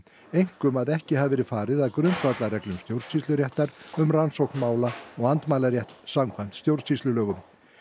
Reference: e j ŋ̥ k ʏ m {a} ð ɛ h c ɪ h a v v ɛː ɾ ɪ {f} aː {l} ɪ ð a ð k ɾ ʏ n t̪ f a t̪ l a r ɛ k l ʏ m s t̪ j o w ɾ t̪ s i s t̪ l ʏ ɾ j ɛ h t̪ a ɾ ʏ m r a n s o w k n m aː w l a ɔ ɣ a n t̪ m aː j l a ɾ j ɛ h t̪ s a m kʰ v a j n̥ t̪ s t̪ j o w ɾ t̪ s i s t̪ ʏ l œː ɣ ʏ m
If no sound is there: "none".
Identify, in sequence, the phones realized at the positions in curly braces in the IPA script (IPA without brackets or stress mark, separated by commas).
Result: a, f, ɾ